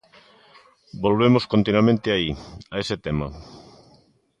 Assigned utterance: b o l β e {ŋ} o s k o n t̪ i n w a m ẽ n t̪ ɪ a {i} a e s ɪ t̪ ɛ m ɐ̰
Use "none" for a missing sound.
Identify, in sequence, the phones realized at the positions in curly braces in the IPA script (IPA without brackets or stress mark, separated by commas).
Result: m, i